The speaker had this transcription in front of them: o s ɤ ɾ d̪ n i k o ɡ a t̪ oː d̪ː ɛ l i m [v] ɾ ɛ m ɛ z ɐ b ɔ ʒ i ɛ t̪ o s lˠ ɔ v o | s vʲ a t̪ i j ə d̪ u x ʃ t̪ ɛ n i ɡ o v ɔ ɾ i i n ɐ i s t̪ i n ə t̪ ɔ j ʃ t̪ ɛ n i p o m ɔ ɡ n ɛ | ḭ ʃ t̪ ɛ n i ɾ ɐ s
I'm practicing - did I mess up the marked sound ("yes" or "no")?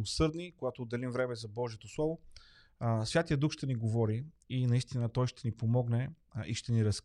no